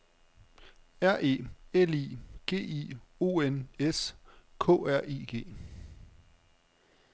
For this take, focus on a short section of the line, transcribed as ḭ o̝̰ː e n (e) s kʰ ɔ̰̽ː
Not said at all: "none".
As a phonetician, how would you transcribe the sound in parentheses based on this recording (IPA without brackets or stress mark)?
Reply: e